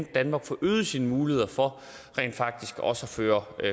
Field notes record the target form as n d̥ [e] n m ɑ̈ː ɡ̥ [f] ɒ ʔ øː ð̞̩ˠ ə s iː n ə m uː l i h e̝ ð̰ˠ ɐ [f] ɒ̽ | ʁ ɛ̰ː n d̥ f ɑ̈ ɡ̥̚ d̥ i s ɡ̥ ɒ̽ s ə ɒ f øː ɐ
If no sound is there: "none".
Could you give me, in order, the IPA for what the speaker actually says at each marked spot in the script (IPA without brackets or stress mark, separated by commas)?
æ, f, f